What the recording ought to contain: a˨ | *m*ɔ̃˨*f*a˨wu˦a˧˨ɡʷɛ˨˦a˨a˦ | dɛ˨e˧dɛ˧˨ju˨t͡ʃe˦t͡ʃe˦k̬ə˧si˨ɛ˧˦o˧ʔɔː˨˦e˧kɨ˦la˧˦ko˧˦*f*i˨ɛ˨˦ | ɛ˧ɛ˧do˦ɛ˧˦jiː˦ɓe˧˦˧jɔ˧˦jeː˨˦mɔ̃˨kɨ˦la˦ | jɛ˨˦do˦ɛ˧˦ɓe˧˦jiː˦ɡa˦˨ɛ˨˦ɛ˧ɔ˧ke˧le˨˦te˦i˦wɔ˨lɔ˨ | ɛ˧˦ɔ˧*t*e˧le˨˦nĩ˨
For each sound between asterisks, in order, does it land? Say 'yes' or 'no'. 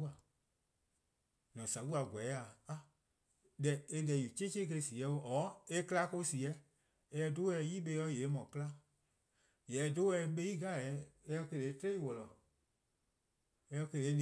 no, no, no, no

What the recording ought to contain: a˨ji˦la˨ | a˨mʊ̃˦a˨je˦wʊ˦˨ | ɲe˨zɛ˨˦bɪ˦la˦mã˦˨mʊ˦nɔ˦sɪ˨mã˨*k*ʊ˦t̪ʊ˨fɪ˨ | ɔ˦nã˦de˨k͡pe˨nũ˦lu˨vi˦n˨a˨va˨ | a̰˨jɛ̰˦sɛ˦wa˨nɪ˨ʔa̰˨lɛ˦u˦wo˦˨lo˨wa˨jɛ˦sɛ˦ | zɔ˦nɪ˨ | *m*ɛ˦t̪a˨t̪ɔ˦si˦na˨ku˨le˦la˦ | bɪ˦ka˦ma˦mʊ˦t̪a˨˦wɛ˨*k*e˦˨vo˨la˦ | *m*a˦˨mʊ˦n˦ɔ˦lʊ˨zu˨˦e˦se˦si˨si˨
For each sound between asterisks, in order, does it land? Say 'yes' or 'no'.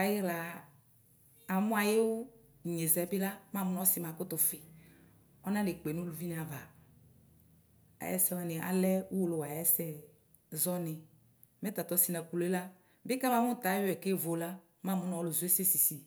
yes, yes, yes, yes

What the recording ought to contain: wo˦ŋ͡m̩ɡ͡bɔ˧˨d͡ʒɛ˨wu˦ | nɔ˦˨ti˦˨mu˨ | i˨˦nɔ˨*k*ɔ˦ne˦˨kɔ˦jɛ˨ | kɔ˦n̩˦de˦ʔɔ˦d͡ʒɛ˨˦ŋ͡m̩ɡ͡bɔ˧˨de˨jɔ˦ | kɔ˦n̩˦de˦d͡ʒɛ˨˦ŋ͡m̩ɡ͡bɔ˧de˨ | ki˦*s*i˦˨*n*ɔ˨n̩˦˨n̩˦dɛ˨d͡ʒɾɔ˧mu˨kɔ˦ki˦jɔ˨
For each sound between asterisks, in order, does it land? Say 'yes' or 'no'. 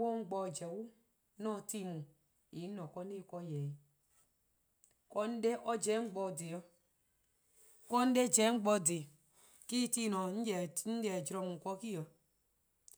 yes, no, yes

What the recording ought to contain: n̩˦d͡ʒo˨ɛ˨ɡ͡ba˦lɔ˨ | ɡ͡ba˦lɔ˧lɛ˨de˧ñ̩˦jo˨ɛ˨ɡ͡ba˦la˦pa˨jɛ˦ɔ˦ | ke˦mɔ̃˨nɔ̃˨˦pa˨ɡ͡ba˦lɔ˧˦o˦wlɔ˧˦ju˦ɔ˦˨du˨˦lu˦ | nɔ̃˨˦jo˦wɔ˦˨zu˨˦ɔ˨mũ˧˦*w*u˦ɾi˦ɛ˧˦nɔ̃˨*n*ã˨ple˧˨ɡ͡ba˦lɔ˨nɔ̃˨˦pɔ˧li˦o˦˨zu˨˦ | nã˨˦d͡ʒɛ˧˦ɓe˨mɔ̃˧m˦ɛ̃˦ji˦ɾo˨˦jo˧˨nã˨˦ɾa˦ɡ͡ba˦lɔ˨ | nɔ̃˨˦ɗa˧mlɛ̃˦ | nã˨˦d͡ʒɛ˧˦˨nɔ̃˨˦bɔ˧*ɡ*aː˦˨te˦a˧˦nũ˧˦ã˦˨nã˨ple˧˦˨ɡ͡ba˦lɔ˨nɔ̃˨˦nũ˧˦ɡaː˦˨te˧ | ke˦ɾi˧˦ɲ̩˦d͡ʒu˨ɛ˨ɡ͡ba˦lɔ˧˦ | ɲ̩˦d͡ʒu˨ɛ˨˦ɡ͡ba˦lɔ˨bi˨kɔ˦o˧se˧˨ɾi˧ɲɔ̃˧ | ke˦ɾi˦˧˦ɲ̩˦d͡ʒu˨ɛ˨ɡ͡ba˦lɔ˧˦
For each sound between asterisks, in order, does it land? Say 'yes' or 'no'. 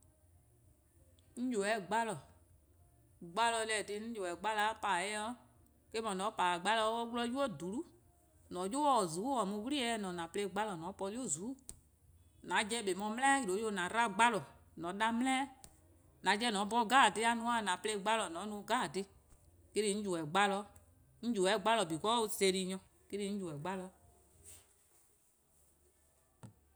yes, yes, yes

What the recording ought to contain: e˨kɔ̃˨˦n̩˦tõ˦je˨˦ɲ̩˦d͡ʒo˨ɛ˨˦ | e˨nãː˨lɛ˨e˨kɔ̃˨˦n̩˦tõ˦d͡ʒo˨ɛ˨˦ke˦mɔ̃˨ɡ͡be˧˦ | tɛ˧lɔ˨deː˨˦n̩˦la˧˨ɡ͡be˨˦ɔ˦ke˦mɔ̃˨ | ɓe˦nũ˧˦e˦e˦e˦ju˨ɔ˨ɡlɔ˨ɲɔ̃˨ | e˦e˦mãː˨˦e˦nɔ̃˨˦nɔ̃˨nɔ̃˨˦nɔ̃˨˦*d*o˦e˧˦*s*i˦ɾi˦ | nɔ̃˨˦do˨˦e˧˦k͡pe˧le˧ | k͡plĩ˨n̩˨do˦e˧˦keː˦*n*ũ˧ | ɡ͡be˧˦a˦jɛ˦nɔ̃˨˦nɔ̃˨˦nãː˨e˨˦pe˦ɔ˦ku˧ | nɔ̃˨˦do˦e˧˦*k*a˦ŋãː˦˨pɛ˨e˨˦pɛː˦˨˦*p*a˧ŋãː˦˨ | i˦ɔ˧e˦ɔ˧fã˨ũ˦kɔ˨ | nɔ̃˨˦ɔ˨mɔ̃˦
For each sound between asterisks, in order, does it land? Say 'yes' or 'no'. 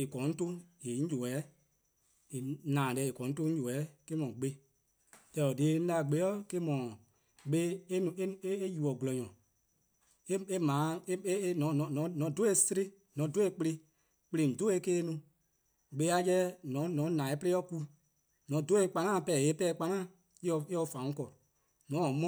yes, yes, yes, no, no

